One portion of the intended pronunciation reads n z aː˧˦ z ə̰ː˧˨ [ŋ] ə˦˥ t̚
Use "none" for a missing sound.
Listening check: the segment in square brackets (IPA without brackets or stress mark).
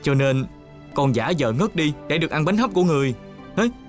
ŋ